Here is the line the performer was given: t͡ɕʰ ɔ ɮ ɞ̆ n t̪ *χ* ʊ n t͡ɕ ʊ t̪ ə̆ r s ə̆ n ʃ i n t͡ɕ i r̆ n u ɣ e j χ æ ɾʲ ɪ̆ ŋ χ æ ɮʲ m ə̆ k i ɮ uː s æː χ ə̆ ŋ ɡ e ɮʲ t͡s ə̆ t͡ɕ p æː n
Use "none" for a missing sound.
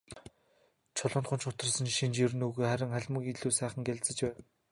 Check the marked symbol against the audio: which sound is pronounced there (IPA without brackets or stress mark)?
χ